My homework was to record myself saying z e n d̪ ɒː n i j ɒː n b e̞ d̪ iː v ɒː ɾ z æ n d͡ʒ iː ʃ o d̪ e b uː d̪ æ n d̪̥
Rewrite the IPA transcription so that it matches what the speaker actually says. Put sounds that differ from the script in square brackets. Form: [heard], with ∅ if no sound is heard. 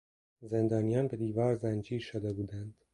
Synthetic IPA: z e n d̪ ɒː n i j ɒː n b e̞ d̪ iː v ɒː ɾ z æ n d͡ʒ iː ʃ o d̪ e b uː d̪ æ n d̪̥